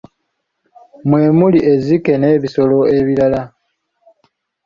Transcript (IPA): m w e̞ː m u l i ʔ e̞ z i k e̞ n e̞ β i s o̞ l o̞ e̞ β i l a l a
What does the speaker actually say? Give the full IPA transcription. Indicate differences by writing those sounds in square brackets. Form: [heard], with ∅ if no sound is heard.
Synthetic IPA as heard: m w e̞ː m u l i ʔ e̞ z i k e̞ n e̞ β i s o̞ l o̞ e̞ β i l a l a